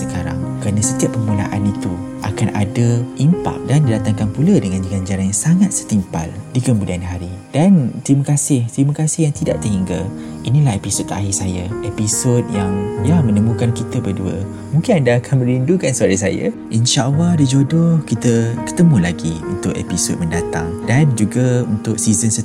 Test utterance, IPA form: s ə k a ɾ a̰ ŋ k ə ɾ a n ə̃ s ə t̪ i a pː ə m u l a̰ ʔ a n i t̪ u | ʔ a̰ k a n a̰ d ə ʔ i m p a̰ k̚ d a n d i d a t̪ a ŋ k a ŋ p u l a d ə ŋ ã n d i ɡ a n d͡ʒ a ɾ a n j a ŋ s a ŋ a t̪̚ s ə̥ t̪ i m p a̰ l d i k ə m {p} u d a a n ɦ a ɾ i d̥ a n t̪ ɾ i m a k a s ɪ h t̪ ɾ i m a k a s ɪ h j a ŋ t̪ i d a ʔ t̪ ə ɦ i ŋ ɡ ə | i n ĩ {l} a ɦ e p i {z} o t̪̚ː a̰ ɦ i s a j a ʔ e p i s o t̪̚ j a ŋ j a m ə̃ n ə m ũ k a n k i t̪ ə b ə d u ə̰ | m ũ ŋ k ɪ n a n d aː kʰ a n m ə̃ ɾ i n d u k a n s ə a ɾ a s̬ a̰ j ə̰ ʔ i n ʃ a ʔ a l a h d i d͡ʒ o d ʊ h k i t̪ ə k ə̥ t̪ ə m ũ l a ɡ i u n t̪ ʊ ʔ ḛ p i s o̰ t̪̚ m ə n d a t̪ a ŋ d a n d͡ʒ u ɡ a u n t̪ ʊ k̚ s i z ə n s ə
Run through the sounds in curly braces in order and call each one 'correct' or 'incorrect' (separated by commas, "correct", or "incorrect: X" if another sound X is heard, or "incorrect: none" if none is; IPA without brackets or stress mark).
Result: incorrect: b, correct, incorrect: s